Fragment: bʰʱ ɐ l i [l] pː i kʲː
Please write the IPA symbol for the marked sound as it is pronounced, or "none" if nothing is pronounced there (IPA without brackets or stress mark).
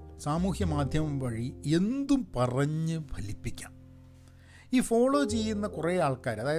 none